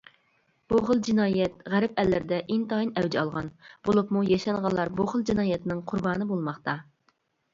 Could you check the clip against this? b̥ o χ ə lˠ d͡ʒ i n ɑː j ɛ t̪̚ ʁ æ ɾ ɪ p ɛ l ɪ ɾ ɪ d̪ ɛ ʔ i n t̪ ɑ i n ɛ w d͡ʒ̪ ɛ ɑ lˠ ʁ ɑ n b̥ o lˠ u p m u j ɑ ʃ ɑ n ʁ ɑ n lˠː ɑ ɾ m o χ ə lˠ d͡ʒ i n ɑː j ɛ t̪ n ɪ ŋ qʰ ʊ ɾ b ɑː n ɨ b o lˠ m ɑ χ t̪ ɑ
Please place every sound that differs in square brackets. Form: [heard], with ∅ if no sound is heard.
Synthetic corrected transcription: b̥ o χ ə lˠ d͡ʒ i n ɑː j ɛ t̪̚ ʁ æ ɾ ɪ p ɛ [lː] ɪ ɾ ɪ d̪ ɛ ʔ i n t̪ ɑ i n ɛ w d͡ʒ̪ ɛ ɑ lˠ ʁ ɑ n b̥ o lˠ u p m u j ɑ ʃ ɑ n ʁ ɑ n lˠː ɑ ɾ [b] o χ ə lˠ d͡ʒ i n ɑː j ɛ t̪ n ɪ ŋ qʰ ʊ ɾ b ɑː n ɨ b o lˠ m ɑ χ t̪ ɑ